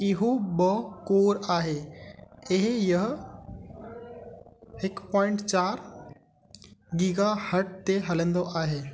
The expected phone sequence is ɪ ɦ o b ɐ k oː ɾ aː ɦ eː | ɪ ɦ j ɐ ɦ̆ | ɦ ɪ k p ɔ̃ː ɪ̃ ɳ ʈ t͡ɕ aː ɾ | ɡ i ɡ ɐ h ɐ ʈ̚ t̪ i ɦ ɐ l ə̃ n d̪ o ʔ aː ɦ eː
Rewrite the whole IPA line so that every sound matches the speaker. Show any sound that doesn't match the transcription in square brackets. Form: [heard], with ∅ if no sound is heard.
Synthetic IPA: ɪ ɦ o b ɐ k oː ɾ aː ɦ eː | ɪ ɦ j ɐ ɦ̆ | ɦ ɪ k p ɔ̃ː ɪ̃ ɳ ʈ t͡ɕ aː ɾ | ɡ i ɡ [a] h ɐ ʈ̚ t̪ [e] ɦ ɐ l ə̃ n d̪ o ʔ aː ɦ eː